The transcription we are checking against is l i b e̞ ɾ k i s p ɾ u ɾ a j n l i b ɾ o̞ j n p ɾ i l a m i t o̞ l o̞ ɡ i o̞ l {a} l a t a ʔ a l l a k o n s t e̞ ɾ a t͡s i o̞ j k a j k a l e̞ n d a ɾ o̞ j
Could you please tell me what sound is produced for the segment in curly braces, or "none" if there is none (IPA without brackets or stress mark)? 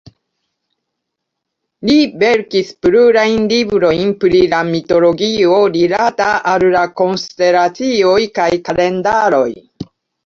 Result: i